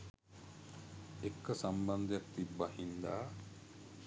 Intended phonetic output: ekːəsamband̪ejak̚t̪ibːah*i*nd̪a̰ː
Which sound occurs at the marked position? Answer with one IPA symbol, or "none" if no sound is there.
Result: i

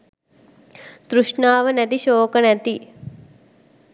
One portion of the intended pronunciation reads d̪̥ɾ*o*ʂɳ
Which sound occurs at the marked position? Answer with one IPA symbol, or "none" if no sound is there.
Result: u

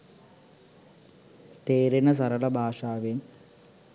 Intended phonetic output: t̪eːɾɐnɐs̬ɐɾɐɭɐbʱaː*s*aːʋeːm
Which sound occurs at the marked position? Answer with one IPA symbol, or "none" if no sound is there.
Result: ʂ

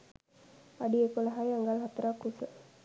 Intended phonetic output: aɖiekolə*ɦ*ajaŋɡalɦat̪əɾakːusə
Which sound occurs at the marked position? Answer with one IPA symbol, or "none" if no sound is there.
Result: ɦ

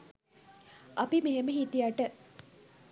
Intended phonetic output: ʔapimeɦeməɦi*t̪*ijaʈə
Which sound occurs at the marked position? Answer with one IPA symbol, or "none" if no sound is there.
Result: t̪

